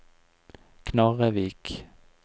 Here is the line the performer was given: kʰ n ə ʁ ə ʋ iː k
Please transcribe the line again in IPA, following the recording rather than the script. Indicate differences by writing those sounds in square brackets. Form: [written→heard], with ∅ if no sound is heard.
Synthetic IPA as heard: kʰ n [ə→ɑ] ʁ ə ʋ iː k